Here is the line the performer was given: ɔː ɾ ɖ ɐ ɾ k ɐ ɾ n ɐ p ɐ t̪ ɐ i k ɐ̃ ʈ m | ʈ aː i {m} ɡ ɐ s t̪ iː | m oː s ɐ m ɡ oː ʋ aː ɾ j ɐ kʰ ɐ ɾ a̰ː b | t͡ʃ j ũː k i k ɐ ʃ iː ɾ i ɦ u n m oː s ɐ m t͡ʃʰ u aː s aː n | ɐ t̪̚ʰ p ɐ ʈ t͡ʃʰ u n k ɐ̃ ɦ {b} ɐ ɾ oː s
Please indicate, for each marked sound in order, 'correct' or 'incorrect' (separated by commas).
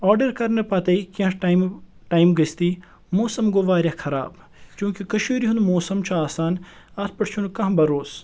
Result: correct, correct